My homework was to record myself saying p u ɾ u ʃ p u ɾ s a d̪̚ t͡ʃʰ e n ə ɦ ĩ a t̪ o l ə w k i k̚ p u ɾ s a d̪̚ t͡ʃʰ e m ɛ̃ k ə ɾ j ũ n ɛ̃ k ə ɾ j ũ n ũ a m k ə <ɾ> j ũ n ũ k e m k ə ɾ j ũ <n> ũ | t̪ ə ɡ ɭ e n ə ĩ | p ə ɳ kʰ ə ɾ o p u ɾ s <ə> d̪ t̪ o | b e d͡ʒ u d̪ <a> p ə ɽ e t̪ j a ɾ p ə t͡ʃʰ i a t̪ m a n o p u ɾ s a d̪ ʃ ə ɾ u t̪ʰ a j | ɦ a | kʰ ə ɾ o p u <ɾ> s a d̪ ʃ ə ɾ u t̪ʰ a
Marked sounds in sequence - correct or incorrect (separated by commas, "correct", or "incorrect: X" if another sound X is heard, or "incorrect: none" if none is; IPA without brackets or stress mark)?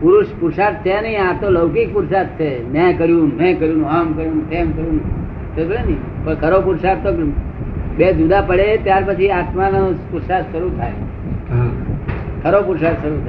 correct, correct, incorrect: a, correct, correct